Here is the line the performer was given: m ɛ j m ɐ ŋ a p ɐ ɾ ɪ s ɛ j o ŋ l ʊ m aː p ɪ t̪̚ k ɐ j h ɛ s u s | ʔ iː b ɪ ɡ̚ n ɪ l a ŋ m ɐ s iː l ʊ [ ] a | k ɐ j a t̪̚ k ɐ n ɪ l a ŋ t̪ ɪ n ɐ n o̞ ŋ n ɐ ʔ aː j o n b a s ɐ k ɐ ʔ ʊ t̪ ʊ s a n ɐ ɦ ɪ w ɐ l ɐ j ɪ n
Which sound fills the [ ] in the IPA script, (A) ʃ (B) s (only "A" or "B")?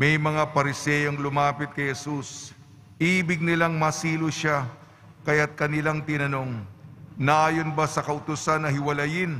A